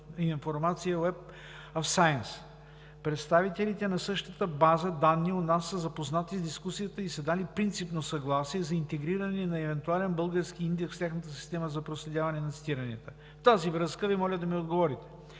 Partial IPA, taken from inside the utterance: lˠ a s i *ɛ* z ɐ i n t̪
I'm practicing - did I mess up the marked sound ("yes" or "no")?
no